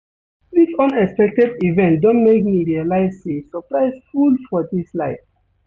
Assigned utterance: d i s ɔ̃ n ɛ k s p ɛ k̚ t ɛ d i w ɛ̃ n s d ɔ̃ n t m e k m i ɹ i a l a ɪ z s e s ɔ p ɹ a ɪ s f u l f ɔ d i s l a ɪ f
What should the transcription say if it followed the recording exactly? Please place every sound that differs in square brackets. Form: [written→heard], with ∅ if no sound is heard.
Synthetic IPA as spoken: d i s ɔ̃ n ɛ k s p ɛ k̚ t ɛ d i [w→v] ɛ̃ n [s→t] d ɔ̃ n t m e k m i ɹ i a l a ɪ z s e s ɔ p ɹ a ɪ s f u l f ɔ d i s l a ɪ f